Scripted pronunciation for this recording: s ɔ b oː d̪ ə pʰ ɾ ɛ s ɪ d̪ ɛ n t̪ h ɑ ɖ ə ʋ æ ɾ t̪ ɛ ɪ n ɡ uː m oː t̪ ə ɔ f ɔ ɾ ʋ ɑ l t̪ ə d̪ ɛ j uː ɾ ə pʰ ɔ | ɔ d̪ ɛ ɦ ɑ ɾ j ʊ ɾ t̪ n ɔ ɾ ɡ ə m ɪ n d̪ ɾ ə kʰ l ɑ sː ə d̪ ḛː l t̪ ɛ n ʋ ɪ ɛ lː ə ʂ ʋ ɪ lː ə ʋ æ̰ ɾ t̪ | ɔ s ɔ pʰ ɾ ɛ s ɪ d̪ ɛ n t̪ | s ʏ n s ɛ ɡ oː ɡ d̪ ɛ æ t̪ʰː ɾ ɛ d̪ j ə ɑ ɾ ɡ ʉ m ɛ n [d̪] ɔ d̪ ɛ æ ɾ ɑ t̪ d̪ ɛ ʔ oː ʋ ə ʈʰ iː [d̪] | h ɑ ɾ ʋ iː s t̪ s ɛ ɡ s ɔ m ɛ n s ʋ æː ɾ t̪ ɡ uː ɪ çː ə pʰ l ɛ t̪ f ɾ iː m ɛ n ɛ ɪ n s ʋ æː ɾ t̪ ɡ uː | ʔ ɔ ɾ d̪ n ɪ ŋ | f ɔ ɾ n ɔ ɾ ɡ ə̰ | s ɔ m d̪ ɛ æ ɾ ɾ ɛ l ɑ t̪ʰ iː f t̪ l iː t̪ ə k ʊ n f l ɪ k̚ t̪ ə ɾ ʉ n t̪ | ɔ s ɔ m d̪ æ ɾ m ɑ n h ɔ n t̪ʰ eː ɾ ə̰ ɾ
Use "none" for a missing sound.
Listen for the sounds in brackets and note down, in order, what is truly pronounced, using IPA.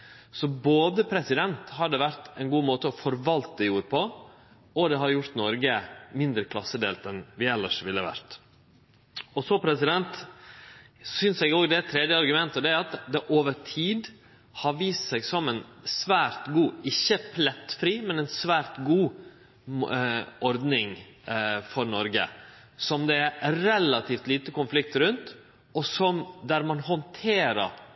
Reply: t̪, d̪

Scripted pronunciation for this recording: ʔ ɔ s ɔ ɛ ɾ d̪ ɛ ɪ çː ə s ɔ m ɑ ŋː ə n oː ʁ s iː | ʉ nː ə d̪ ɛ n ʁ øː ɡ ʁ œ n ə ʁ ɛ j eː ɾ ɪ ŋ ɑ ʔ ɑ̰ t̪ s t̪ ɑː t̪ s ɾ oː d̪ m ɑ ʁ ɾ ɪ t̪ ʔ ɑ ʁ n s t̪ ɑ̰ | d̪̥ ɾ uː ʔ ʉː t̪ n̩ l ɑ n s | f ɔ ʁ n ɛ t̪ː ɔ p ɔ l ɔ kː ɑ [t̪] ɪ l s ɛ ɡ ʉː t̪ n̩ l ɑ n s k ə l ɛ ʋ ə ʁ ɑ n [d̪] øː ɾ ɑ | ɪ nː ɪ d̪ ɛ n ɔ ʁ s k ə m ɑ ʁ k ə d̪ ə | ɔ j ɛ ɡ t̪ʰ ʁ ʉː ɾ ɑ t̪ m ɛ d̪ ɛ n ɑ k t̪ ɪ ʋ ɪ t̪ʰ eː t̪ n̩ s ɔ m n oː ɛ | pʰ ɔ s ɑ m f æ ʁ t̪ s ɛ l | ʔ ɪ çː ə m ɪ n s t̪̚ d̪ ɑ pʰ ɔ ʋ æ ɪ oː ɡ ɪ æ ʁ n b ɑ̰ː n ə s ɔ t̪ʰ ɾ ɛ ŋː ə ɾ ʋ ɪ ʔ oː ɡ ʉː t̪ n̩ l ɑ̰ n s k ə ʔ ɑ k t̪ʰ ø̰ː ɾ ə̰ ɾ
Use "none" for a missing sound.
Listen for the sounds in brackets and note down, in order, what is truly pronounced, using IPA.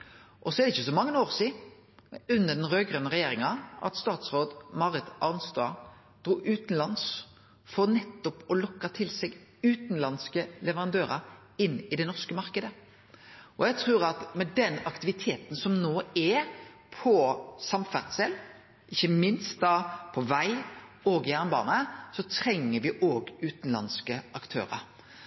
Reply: t̪ʰ, d̪

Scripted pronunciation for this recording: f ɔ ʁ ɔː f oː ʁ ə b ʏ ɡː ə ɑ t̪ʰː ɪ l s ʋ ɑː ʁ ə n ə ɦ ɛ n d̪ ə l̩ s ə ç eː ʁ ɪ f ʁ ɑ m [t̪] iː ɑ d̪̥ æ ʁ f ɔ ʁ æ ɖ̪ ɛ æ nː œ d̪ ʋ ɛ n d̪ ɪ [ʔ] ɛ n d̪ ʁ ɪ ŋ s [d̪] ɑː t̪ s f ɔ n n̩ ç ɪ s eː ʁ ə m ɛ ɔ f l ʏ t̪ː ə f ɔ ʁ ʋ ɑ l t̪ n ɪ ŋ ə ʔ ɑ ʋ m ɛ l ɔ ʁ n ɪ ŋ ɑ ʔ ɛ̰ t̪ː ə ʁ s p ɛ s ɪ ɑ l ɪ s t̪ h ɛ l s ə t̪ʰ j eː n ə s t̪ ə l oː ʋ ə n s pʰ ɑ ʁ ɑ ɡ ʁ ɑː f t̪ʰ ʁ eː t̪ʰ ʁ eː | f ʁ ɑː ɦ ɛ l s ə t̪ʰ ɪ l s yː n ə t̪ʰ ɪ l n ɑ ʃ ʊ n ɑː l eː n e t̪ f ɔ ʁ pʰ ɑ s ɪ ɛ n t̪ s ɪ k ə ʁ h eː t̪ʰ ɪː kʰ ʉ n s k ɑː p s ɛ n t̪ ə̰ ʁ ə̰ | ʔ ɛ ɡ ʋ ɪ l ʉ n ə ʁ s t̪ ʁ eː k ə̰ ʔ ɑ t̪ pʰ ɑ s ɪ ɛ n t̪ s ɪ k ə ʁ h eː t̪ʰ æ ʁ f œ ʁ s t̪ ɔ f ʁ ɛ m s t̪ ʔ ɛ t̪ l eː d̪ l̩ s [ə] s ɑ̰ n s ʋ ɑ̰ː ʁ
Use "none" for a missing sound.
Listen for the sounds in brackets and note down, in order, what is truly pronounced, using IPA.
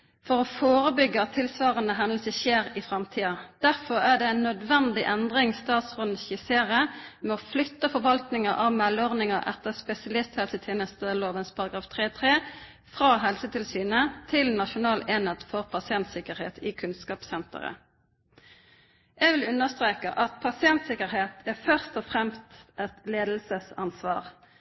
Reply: t̪ʰ, ʔ, t̪, ə

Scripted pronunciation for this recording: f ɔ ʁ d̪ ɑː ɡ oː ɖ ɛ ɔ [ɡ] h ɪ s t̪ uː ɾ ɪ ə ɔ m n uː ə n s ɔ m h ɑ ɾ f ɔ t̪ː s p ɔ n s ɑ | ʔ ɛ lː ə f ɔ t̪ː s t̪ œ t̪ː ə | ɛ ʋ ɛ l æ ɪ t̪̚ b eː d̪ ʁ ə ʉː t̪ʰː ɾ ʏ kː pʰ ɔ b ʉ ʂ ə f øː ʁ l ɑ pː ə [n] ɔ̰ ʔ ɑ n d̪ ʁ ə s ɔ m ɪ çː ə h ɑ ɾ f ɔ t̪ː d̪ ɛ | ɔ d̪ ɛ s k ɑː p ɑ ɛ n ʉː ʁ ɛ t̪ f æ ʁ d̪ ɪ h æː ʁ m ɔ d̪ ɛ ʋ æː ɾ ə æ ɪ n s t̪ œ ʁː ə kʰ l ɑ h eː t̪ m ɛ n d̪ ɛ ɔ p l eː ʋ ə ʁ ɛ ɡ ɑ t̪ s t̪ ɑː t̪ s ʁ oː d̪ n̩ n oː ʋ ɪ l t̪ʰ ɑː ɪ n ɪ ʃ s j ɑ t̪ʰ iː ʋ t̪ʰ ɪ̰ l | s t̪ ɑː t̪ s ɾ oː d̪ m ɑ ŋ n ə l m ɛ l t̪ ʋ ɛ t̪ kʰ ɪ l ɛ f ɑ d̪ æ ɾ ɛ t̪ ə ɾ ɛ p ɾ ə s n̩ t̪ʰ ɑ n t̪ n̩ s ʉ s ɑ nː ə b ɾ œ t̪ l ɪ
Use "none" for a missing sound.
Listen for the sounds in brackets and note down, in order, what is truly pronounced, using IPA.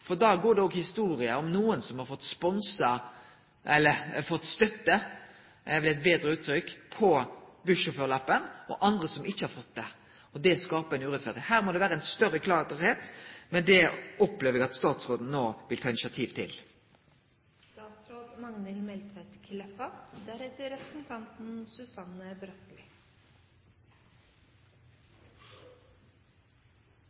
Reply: ɡ, n

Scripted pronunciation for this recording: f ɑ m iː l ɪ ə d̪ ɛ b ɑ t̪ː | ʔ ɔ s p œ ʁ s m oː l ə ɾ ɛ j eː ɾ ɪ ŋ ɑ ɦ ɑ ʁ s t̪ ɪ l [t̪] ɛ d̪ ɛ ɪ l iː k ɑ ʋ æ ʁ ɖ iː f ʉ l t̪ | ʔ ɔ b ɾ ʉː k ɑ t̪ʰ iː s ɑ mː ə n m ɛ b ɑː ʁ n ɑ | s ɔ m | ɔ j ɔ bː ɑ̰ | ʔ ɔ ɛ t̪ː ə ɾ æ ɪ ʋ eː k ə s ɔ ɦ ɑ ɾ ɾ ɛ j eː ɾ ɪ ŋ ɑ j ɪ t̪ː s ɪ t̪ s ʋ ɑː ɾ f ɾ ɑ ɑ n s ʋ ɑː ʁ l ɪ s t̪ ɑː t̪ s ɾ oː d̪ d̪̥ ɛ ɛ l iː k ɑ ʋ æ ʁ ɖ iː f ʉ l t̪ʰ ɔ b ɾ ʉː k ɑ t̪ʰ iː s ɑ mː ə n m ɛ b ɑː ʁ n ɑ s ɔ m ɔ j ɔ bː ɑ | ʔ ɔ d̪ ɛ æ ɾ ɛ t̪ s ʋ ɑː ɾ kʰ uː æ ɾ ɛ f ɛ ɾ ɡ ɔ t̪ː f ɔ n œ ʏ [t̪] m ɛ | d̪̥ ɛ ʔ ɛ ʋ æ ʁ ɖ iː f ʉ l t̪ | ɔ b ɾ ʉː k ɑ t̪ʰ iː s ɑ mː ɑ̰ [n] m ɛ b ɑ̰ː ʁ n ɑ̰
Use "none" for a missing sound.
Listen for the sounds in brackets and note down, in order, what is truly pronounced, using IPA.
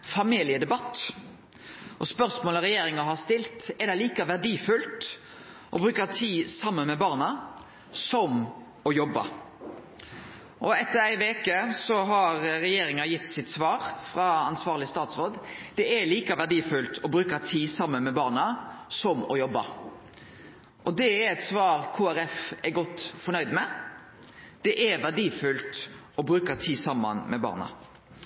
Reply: t̪, d̪, n

